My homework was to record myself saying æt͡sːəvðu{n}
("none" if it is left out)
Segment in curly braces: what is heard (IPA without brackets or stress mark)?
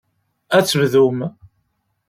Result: m